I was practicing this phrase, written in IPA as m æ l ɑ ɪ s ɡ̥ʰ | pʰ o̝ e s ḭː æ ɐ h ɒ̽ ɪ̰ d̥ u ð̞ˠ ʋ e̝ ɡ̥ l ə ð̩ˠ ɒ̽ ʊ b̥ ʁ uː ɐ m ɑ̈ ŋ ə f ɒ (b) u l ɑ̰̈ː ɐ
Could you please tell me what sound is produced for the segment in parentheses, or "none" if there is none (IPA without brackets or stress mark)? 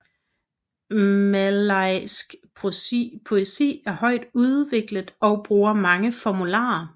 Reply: m